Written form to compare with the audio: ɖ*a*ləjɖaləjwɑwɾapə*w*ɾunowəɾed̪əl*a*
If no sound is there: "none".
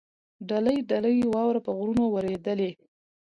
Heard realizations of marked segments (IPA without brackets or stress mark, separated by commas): a, ɣ, e